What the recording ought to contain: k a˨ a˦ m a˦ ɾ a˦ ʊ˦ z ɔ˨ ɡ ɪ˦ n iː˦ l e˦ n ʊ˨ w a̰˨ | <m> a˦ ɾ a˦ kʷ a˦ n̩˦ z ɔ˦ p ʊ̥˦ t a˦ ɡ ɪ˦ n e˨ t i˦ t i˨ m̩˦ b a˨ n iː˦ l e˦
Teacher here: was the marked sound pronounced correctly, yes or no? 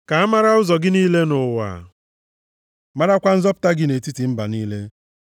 yes